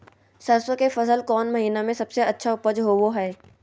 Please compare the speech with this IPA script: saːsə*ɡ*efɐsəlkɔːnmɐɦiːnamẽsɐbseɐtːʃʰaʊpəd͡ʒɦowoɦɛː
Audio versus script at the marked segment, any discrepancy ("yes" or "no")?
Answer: yes